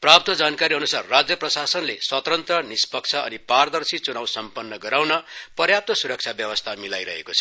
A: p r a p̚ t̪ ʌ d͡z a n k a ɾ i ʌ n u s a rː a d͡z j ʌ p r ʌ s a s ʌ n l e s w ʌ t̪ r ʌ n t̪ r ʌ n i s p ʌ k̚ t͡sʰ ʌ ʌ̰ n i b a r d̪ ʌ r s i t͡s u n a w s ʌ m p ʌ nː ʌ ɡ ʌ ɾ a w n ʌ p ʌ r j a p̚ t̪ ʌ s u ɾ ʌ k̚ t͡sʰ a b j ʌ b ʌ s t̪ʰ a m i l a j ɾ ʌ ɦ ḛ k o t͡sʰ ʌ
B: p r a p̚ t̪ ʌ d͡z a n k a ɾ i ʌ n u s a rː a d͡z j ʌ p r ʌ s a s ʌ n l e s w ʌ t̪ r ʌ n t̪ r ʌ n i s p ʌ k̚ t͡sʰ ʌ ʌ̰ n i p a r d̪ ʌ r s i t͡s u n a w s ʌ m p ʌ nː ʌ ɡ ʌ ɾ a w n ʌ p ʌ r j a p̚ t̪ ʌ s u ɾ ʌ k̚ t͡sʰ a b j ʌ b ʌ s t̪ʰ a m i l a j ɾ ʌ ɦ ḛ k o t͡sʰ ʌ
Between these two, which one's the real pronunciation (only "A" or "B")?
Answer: B